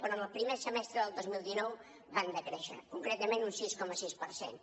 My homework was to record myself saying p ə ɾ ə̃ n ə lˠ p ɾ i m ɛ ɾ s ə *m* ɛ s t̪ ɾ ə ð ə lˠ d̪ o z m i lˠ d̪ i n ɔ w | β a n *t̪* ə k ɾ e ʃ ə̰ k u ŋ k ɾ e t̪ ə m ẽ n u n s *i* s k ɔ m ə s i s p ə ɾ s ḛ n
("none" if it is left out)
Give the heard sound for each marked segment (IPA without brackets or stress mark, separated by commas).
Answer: m, d̪, i